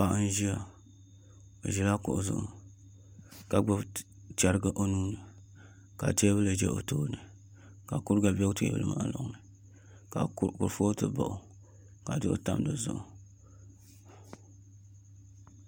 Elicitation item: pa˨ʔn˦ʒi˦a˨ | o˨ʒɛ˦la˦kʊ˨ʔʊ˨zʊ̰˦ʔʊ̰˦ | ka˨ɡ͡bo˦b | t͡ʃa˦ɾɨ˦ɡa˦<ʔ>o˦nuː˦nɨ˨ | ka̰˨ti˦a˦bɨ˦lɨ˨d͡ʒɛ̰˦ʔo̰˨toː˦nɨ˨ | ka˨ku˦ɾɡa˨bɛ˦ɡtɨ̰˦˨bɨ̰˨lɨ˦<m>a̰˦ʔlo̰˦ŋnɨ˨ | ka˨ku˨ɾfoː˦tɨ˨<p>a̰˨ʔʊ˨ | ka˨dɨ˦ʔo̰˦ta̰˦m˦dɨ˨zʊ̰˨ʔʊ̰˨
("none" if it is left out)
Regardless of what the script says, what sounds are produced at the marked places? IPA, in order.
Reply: ʔ, m, b

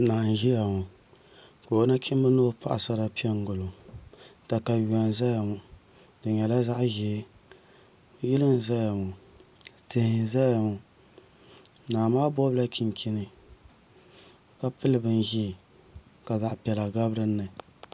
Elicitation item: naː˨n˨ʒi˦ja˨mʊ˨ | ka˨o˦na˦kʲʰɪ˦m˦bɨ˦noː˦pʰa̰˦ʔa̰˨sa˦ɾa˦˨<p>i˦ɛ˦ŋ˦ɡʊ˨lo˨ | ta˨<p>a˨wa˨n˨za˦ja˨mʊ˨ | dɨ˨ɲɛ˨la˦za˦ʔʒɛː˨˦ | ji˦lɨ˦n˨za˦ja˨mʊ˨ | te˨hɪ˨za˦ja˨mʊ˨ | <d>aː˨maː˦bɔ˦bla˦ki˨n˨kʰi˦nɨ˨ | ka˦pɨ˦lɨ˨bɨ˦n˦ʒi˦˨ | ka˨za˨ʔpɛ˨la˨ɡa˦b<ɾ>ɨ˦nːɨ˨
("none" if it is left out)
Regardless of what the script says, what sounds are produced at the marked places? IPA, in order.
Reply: p, k, n, ɾ

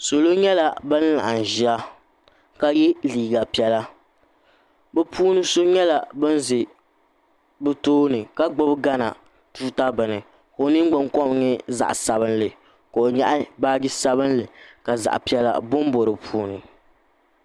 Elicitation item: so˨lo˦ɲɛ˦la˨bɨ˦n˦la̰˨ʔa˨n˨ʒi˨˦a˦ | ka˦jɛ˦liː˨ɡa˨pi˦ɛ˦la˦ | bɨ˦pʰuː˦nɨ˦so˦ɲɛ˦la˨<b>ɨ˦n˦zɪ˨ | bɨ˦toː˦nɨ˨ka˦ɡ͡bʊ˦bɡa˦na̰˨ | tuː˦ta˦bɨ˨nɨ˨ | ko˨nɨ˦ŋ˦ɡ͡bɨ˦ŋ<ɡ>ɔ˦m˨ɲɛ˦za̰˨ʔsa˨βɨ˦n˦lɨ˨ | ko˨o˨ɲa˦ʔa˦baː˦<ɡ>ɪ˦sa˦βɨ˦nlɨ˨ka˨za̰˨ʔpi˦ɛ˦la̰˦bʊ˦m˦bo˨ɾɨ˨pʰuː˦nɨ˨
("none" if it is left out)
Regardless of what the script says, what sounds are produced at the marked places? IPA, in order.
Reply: b, k, ɡ

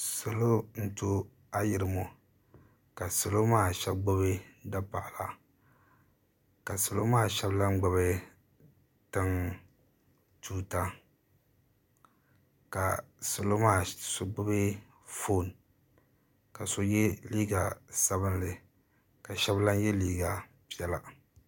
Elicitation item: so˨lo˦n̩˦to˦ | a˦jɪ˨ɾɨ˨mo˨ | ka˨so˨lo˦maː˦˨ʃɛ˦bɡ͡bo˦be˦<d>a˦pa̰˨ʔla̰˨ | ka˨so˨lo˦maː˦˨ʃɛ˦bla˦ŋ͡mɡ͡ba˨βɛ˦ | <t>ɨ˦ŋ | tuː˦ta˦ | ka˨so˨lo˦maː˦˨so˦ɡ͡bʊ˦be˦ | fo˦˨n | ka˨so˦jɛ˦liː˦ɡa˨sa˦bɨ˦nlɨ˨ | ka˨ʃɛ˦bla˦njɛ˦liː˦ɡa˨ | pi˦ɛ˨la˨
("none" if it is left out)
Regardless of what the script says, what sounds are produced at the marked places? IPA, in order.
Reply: d, t

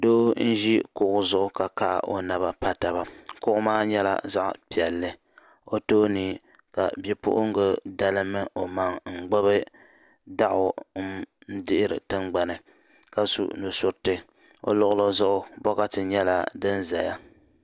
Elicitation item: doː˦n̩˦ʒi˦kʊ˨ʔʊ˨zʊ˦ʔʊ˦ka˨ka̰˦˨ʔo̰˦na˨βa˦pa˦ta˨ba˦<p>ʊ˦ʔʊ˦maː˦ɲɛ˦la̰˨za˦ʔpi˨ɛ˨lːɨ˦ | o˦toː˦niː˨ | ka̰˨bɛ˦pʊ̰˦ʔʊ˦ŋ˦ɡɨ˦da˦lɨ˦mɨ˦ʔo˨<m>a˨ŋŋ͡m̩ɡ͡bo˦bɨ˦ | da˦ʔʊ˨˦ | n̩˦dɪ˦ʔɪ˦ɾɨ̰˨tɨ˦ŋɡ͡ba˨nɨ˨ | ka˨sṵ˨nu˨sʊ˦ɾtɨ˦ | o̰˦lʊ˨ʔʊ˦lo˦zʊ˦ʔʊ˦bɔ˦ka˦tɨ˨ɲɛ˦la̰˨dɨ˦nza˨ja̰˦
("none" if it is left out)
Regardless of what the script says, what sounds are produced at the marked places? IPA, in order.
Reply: k, m

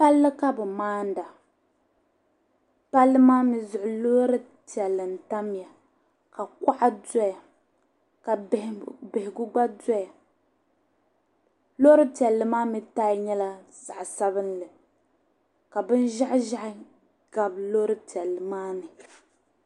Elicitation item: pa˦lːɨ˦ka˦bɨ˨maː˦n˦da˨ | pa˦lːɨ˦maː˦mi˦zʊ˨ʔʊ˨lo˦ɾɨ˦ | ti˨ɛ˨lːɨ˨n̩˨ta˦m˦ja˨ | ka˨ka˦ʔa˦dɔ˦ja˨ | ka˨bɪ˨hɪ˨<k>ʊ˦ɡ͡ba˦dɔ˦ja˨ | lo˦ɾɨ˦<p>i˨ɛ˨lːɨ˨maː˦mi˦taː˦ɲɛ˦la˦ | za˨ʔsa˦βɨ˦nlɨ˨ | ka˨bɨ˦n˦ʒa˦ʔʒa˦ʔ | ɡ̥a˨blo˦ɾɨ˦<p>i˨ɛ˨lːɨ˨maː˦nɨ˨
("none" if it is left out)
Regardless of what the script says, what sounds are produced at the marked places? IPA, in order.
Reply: ɡ, t, t

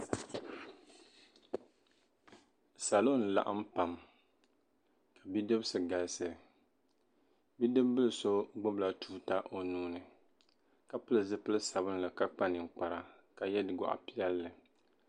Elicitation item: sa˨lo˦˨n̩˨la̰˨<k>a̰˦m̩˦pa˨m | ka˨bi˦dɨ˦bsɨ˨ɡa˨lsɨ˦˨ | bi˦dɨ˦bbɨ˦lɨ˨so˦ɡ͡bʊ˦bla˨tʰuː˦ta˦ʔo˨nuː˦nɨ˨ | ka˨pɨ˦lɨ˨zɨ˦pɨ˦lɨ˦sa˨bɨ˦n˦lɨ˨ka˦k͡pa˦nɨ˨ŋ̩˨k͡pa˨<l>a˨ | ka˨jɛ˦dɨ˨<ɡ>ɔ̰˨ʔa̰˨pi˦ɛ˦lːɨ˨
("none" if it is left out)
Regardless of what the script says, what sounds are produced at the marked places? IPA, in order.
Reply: ʔ, ɾ, ɡ

